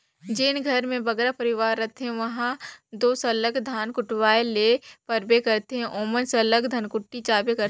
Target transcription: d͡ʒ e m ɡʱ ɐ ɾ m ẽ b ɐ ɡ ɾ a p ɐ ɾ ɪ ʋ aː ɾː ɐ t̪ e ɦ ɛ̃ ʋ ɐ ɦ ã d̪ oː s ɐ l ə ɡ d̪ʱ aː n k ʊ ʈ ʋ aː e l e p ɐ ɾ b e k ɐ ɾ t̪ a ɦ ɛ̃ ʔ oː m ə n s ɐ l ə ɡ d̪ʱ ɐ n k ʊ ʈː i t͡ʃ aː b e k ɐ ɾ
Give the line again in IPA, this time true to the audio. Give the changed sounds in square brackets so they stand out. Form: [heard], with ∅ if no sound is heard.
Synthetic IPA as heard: d͡ʒ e [n] ɡʱ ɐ ɾ m ẽ b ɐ ɡ ɾ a p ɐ ɾ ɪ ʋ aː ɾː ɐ t̪ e ɦ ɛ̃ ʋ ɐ ɦ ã d̪ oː s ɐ l ə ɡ d̪ʱ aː n k ʊ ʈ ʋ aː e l e p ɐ ɾ b e k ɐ ɾ t̪ [e] ɦ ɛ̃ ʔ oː m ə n s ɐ l ə ɡ d̪ʱ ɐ n k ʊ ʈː i t͡ʃ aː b e k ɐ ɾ